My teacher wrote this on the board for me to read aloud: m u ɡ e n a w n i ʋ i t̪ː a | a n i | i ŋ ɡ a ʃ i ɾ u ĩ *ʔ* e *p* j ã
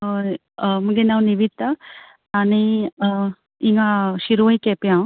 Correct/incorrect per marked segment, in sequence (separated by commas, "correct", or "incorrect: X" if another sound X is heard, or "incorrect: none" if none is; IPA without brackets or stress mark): incorrect: k, correct